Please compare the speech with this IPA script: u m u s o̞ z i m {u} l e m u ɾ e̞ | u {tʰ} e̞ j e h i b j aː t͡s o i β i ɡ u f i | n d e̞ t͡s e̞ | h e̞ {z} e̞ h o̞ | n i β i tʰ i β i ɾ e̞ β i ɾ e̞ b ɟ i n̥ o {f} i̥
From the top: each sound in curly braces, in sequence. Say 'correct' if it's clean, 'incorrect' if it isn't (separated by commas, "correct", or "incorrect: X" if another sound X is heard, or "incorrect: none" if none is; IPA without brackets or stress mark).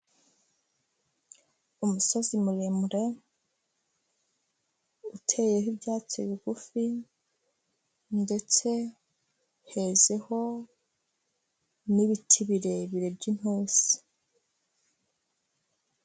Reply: correct, correct, correct, incorrect: s